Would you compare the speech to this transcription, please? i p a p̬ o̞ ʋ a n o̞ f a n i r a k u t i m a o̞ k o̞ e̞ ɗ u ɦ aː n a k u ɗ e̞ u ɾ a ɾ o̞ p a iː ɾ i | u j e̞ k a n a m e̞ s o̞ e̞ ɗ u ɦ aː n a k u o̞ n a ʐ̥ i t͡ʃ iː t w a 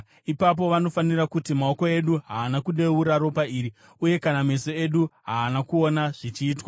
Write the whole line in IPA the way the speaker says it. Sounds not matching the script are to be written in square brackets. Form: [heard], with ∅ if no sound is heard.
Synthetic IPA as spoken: i p a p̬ o̞ ʋ a n o̞ f a n i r a k u t i m a o̞ k o̞ e̞ ɗ u ɦ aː n a k u ɗ e̞ u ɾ a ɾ o̞ p a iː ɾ i | u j e̞ k a n a m e̞ s o̞ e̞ ɗ u ɦ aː n a k u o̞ n a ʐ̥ i t͡ʃ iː t w a